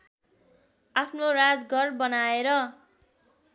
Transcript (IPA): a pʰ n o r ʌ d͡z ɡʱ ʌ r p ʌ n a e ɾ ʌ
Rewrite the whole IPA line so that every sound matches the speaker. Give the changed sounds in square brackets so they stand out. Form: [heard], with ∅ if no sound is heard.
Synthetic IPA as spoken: a pʰ n o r [a] d͡z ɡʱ ʌ r [b] ʌ n a e ɾ ʌ

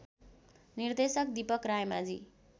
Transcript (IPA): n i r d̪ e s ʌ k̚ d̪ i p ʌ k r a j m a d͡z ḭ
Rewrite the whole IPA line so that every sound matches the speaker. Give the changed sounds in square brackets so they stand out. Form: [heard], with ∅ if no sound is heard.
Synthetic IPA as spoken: n i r d̪ e s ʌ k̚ d̪ i p ʌ k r a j m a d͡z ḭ

